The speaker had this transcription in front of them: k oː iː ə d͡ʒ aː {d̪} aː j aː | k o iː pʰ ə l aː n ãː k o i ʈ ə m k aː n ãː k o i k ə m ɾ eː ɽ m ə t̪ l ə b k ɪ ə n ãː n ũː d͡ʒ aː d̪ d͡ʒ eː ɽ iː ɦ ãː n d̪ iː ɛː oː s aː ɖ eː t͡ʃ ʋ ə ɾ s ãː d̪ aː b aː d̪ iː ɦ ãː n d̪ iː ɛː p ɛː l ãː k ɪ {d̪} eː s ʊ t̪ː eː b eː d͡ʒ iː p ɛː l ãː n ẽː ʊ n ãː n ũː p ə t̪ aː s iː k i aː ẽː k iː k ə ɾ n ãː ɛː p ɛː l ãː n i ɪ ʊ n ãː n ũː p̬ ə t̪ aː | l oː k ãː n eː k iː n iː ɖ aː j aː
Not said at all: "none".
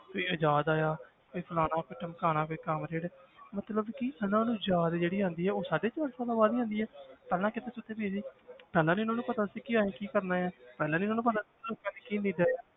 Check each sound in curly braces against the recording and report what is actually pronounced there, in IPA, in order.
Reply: d̪, t̪

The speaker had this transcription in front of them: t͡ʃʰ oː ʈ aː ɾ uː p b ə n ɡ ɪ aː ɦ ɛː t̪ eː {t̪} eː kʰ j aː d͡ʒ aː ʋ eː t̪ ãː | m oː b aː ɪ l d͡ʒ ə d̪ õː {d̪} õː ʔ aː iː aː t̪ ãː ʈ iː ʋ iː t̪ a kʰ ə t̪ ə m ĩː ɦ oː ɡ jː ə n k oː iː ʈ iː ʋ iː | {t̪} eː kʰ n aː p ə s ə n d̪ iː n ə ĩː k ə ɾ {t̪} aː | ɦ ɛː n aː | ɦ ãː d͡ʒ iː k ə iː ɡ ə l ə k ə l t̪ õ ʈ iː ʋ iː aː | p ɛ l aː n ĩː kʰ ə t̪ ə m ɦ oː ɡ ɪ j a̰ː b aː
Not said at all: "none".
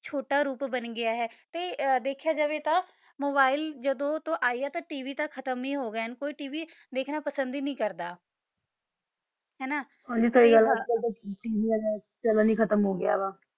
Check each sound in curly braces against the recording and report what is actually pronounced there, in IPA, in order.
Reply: d̪, t̪, d̪, d̪

